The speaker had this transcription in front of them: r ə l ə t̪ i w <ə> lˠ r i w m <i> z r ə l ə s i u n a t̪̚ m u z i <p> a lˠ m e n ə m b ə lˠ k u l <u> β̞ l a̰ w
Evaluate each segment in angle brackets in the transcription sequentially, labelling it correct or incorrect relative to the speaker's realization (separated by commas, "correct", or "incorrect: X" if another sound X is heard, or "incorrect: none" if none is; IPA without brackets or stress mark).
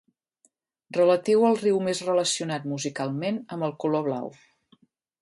correct, incorrect: e, incorrect: k, incorrect: o